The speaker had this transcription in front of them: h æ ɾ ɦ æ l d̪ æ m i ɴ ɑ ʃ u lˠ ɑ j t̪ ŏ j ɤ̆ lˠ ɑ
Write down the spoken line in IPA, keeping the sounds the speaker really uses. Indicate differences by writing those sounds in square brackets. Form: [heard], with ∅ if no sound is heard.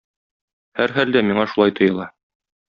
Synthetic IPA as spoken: h æ ɾ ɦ æ l d̪ æ m i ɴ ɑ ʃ u lˠ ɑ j t̪ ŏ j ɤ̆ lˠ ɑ